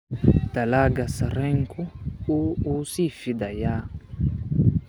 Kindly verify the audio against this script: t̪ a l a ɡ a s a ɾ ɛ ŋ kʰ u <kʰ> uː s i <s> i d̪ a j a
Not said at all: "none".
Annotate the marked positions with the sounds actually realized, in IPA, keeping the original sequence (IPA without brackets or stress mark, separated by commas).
none, f